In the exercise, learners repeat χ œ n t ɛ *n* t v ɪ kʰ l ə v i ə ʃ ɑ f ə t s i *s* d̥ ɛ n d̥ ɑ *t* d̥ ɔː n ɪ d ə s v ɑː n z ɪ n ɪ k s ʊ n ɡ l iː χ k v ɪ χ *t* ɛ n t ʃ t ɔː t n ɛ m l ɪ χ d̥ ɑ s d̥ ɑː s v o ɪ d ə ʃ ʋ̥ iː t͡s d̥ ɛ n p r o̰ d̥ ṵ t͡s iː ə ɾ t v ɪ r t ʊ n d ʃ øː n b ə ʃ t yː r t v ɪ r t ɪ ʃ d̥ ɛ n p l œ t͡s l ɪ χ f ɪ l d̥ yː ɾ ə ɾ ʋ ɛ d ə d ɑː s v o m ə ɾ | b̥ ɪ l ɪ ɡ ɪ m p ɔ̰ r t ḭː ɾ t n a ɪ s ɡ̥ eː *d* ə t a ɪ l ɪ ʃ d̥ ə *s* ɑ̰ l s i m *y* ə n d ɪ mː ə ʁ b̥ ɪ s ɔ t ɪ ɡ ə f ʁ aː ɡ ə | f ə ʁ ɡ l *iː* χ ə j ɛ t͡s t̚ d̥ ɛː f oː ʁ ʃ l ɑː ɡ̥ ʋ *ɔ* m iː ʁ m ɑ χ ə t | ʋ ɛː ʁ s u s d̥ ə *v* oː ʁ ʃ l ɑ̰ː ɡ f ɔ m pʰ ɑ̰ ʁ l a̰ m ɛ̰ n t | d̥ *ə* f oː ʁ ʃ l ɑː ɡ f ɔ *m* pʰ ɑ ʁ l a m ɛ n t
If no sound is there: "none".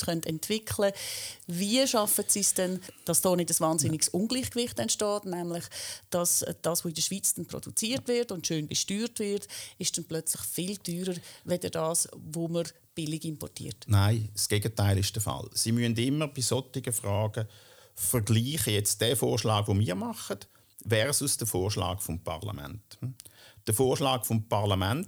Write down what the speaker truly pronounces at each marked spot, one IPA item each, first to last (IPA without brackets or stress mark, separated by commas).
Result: n, s, s, t, ɡ, f, y, iː, o, f, ə, m